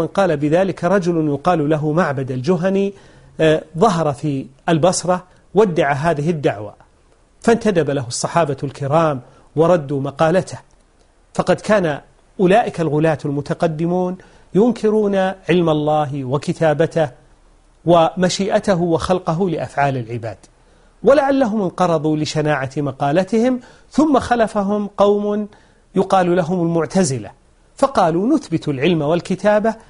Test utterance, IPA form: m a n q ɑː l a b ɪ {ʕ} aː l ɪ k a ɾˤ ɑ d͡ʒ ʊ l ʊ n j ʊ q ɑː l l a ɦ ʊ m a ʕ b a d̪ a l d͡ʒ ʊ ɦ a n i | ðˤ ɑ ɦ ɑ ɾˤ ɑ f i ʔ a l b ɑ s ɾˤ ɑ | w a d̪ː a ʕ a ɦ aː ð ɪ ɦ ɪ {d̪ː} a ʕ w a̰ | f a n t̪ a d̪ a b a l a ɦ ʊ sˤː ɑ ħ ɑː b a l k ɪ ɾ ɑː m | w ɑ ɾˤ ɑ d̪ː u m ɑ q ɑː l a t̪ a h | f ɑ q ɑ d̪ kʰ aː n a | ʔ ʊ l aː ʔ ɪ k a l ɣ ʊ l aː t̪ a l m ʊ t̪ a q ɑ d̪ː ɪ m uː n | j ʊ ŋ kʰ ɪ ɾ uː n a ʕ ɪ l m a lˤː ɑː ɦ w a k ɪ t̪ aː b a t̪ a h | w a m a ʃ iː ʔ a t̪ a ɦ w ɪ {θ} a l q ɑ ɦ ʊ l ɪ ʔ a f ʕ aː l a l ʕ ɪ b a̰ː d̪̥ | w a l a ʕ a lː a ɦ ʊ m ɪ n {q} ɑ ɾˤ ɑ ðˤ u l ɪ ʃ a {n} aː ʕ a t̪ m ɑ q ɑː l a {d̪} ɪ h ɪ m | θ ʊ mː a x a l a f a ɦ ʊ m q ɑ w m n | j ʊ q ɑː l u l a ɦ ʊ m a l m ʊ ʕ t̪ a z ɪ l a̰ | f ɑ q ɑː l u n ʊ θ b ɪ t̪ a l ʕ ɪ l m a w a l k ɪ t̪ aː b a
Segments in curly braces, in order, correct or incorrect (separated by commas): incorrect, correct, incorrect, correct, correct, incorrect